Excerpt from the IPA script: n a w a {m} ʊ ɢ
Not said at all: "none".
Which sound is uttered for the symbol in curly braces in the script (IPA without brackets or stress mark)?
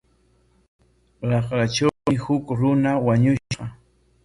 ɲ